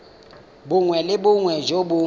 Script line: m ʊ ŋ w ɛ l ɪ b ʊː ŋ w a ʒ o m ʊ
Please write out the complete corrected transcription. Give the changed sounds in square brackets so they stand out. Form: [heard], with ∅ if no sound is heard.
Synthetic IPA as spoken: [b] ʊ ŋ w ɛ l ɪ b [ʊ] ŋ w [ɛ] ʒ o [b] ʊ